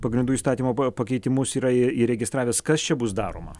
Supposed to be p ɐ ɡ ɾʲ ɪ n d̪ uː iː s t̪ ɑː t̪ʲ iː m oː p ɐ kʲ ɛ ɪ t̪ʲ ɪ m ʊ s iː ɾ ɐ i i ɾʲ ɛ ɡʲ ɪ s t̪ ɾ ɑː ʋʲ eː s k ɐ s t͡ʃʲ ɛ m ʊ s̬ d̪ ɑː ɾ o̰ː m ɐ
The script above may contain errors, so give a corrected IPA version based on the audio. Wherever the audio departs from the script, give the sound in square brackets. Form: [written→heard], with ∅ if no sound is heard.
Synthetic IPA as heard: p ɐ ɡ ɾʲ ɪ n d̪ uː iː s t̪ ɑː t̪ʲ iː m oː p ɐ kʲ ɛ ɪ t̪ʲ ɪ m ʊ s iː ɾ ɐ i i ɾʲ ɛ ɡʲ ɪ s t̪ ɾ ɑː ʋʲ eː s k ɐ s t͡ʃʲ ɛ [m→b] ʊ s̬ d̪ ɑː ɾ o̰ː m ɐ